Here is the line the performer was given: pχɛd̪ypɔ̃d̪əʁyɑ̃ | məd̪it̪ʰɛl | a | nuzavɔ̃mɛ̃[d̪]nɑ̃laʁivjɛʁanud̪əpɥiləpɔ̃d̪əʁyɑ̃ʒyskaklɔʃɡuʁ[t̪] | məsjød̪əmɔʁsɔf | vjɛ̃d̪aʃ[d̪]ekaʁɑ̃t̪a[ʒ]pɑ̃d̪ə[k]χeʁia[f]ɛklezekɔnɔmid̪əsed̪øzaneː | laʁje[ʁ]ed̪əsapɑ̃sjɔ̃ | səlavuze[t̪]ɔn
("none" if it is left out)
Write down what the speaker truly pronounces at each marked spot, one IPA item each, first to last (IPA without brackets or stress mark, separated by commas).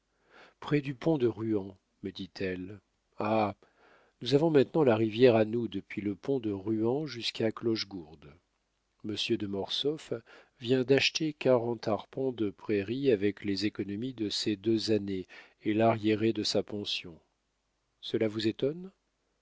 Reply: t̪, d̪, t̪, ʁ, p, v, ʁ, t̪